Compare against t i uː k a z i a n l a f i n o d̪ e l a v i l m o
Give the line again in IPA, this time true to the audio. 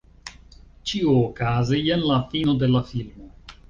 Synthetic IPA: t͡ʃ i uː k a z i e n l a f i n o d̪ e l a f i l m o